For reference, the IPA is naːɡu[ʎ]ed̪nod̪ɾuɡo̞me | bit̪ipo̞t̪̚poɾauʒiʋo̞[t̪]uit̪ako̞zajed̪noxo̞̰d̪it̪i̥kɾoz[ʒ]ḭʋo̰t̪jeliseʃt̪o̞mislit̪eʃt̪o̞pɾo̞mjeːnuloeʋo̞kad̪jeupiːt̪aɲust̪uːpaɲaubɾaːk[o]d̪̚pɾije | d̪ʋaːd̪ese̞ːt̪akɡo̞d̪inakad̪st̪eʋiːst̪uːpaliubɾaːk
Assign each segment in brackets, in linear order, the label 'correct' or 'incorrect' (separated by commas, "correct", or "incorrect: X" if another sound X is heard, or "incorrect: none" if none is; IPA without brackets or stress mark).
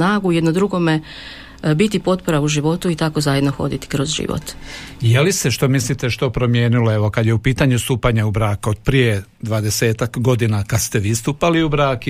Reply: incorrect: j, correct, correct, correct